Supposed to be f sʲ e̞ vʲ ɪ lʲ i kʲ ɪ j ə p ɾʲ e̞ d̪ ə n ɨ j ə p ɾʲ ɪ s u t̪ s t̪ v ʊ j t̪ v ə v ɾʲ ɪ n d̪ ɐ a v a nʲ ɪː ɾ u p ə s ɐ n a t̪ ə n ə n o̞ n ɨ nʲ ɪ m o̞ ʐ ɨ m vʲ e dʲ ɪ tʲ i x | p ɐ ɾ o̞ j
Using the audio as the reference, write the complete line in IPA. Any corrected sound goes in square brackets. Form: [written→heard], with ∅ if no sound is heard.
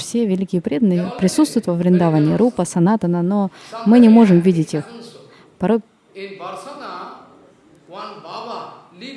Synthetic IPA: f sʲ e̞ vʲ ɪ lʲ i kʲ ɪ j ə p ɾʲ e̞ d̪ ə n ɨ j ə p ɾʲ ɪ s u t̪ s t̪ v ʊ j t̪ v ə v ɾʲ ɪ n d̪ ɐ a v a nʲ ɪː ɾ u p ə s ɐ n a t̪ ə n ə n o̞ [n→m] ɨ nʲ ɪ m o̞ ʐ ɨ m vʲ [e→i] dʲ ɪ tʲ i x | p ɐ ɾ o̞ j